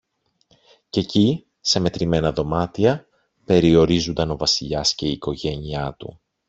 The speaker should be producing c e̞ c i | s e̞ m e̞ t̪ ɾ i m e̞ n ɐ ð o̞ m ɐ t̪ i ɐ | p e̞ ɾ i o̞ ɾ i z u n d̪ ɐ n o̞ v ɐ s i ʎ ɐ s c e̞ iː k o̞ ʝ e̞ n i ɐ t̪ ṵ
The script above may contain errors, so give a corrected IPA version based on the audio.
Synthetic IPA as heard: c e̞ c i | s e̞ m e̞ t̪ ɾ i m e̞ n ɐ ð o̞ m ɐ t̪ i ɐ | p e̞ ɾ i o̞ ɾ i z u n d̪ ɐ n o̞ v ɐ s i ʎ ɐ s c e̞ iː k o̞ ʝ e̞ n i ɐ t̪ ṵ